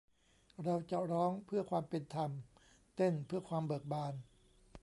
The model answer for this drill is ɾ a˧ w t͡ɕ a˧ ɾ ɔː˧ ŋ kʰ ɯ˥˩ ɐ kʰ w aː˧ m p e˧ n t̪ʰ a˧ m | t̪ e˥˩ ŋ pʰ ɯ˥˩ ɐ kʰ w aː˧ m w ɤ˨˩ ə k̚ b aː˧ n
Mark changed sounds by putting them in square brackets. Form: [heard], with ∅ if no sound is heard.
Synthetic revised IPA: ɾ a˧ w t͡ɕ [a˨˩] ɾ [ɔː˦˥] ŋ [pʰ] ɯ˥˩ ɐ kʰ w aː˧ m p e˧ n t̪ʰ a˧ m | t̪ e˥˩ [n] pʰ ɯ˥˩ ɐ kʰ w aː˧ m [b] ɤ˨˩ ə k̚ b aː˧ n